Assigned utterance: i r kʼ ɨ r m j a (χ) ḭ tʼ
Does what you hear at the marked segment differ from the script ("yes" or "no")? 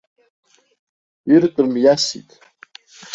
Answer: yes